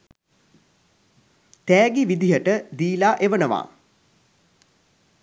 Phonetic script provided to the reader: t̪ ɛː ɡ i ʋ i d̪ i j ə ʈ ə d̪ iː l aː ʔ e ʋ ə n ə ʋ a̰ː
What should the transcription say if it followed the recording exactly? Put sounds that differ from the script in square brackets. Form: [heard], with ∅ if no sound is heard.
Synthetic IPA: t̪ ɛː ɡ i ʋ i d̪ i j ə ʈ ə d̪ iː l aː ʔ e ʋ ə n ə ʋ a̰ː